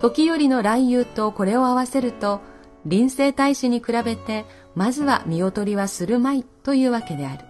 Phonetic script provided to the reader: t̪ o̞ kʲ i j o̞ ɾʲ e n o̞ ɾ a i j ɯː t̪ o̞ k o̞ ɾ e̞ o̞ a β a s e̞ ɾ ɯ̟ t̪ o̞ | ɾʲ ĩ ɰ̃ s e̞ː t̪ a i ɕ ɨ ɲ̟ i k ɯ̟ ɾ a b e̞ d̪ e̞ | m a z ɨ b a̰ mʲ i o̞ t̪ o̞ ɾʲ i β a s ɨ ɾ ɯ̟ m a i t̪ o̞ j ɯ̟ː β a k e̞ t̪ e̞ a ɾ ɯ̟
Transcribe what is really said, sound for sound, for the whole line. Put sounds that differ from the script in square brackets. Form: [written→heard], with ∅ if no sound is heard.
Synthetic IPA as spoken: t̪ o̞ kʲ i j o̞ ɾʲ [e→i] n o̞ ɾ a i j ɯː t̪ o̞ k o̞ ɾ e̞ o̞ a β a s e̞ ɾ ɯ̟ t̪ o̞ | ɾʲ ĩ ɰ̃ s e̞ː t̪ a i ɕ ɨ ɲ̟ i k ɯ̟ ɾ a b e̞ [d̪→t̪] e̞ | m a z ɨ [b→β] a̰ mʲ i o̞ t̪ o̞ ɾʲ i β a s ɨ ɾ ɯ̟ m a i t̪ o̞ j ɯ̟ː β a k e̞ [t̪→d̪] e̞ a ɾ ɯ̟